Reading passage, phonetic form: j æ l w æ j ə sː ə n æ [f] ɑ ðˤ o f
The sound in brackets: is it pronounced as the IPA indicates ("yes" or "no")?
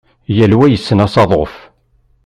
no